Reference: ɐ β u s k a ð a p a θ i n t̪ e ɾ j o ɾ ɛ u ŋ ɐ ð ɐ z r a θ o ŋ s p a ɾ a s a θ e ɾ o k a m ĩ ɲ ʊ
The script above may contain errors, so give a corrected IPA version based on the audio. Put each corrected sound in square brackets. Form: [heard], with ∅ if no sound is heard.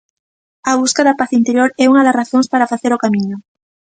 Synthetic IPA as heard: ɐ β u s k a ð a p a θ i n t̪ e ɾ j o ɾ ɛ u ŋ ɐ ð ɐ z r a θ o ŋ s p a ɾ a [f] a θ e ɾ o k a m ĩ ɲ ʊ